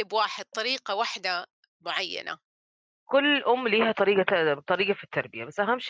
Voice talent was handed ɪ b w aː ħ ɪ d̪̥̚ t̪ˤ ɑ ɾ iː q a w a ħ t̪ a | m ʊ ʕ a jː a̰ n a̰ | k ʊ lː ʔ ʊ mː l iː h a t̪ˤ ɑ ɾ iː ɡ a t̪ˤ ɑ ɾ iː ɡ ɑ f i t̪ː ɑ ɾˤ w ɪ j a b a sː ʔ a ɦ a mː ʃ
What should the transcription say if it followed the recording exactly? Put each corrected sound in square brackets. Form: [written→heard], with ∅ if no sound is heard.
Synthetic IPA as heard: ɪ b w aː ħ ɪ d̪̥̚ t̪ˤ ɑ ɾ iː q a w a ħ [t̪→d̪] a | m ʊ ʕ a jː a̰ n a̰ | k ʊ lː ʔ ʊ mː l iː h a t̪ˤ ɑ ɾ iː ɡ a t̪ˤ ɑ ɾ iː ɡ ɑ f i t̪ː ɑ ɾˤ [w→b] ɪ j a b a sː ʔ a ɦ a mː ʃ